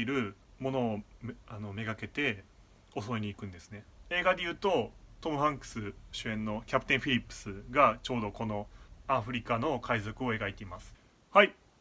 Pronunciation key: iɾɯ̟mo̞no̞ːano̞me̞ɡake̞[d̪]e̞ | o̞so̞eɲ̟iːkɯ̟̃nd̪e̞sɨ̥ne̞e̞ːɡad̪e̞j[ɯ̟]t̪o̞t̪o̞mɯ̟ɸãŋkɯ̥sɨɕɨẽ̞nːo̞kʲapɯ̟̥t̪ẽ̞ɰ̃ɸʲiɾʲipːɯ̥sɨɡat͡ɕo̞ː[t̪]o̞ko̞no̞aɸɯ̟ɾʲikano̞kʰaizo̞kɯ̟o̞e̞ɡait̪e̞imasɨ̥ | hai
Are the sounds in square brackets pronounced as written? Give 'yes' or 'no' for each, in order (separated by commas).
no, no, no